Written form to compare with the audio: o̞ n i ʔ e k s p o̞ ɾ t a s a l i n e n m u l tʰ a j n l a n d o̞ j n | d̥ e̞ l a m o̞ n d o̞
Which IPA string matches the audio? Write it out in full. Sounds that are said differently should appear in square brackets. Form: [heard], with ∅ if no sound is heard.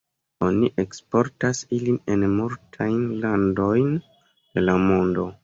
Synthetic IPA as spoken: o̞ n i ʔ e k s p o̞ ɾ t a s [i] l i n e n m u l tʰ a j n l a n d o̞ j n | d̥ e̞ l a m o̞ n d o̞